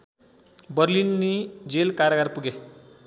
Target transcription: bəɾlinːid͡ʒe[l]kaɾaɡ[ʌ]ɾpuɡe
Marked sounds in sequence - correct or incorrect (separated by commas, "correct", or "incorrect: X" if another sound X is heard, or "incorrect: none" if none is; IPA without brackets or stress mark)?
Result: correct, incorrect: a